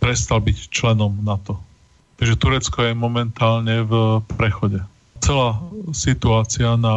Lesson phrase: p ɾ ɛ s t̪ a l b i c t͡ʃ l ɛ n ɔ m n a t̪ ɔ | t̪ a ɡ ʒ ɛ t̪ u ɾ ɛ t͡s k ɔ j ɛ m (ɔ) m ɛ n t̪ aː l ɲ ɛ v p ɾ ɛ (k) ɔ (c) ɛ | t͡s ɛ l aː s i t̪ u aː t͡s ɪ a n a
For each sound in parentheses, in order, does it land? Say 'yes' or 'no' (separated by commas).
yes, no, no